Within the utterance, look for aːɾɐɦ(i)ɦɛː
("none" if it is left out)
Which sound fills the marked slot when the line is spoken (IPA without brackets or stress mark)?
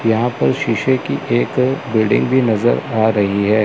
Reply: i